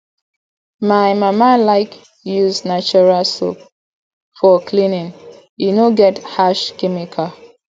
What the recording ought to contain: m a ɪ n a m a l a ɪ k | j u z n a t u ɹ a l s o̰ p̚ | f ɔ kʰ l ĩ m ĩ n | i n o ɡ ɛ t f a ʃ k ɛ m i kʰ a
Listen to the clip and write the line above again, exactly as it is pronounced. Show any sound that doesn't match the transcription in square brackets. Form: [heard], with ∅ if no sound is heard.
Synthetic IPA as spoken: m a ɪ [m] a m a l a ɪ k | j u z n a [t͡ʃ] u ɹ a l s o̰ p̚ | f ɔ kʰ l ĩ [n] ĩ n | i n o ɡ ɛ t [h] a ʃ k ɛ m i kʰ a